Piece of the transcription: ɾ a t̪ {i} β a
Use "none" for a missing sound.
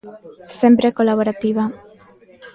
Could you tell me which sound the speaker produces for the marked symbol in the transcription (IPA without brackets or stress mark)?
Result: i